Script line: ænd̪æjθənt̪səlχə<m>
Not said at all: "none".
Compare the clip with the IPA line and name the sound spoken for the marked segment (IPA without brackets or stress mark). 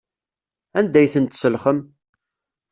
m